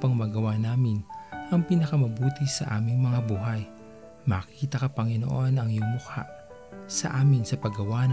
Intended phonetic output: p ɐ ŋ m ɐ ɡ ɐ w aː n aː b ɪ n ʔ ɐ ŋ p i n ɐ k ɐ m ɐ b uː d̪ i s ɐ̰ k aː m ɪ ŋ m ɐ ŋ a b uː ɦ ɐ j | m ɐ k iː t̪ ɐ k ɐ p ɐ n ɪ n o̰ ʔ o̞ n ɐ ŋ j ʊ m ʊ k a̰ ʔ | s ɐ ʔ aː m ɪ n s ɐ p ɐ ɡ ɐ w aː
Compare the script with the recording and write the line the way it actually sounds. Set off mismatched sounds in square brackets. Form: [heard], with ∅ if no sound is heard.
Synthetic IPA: p ɐ ŋ m ɐ ɡ ɐ w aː n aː [m] ɪ n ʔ ɐ ŋ p i n ɐ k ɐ m ɐ b uː [t̪] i s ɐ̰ [ʔ] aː m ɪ ŋ m ɐ ŋ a b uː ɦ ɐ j | m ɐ k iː t̪ ɐ k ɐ p ɐ [ŋ] ɪ n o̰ ʔ o̞ n ɐ ŋ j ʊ m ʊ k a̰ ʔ | s ɐ ʔ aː m ɪ n s ɐ p ɐ ɡ ɐ w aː